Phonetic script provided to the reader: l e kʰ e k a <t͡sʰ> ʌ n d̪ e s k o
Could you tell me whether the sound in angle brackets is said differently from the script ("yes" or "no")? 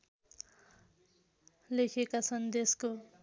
no